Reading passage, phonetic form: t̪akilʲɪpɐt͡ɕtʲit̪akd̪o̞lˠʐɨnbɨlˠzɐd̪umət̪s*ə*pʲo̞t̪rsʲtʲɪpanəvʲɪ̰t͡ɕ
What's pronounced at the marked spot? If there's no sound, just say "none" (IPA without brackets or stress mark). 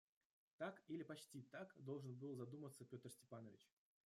ə